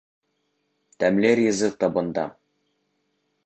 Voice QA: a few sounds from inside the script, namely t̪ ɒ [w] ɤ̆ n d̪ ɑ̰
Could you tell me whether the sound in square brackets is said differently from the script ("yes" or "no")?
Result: yes